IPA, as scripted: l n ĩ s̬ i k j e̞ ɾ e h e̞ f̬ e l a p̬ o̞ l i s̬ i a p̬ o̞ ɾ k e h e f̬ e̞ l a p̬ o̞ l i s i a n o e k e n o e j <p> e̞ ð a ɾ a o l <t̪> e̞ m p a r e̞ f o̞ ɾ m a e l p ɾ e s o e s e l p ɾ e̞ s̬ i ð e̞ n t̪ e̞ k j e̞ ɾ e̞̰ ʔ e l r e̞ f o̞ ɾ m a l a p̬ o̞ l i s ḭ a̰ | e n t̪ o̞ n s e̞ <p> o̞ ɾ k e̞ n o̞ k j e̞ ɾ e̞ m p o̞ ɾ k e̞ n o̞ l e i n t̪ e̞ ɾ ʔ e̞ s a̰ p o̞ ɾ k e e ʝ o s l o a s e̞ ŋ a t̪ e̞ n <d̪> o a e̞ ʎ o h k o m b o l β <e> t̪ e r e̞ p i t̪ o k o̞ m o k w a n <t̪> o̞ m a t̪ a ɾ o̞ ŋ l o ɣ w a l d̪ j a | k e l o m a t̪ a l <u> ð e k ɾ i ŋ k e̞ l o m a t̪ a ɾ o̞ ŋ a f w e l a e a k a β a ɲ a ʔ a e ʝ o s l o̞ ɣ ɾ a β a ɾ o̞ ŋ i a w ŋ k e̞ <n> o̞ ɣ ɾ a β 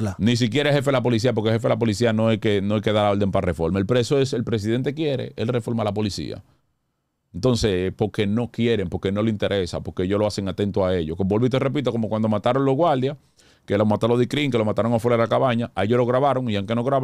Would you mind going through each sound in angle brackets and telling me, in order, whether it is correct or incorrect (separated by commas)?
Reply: incorrect, incorrect, correct, incorrect, incorrect, incorrect, incorrect, correct